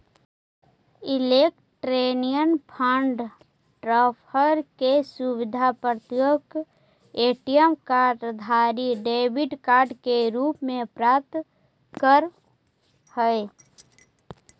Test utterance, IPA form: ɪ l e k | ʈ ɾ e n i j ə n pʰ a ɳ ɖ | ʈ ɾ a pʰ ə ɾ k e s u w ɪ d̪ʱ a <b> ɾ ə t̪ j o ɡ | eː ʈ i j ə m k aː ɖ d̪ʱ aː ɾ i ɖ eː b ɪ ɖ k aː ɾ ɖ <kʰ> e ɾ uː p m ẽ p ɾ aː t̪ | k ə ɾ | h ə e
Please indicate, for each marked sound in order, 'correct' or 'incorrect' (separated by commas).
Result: incorrect, incorrect